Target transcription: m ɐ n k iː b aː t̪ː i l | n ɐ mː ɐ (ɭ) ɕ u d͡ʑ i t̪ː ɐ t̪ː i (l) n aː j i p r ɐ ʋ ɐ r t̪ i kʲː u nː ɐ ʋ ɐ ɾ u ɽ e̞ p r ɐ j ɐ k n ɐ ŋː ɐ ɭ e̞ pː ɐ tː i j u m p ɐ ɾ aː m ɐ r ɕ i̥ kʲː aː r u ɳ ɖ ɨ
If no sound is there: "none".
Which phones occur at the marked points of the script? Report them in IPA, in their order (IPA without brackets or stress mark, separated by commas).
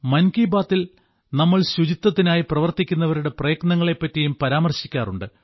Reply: ɭ, none